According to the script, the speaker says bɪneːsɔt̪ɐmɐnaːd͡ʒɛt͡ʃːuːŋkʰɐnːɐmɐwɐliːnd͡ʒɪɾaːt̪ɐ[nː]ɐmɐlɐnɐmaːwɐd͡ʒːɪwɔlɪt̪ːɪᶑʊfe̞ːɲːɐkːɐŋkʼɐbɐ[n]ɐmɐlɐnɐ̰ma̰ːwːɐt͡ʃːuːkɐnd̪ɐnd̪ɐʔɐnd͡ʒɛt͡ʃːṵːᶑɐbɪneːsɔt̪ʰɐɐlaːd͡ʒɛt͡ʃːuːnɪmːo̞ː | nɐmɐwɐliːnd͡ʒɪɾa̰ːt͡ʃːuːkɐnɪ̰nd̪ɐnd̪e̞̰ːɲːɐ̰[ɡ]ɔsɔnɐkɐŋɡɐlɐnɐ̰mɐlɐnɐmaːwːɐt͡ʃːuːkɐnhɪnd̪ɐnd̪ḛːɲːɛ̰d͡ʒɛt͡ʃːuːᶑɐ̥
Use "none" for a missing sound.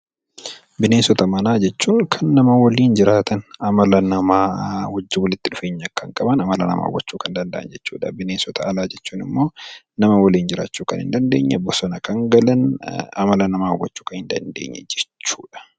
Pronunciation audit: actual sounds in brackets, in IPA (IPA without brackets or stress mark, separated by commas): n, n, b